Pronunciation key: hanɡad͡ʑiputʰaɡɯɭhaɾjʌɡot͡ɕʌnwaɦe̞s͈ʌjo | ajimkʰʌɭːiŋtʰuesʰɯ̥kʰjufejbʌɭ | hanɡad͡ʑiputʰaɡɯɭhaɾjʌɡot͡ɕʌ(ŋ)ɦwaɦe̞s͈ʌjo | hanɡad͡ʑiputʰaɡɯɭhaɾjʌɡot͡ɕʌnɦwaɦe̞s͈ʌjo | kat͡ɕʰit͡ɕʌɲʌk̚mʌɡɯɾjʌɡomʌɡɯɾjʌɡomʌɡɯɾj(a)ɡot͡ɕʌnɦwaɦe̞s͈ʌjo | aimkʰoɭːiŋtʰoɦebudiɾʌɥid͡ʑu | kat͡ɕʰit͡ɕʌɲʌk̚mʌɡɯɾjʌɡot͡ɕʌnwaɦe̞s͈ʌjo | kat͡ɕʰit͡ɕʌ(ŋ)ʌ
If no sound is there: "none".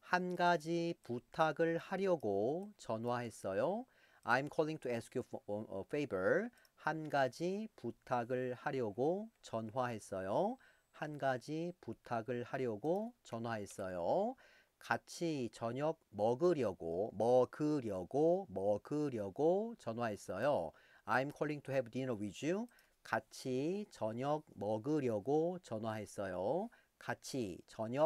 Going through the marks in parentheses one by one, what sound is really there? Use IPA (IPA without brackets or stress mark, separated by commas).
n, ʌ, ɲ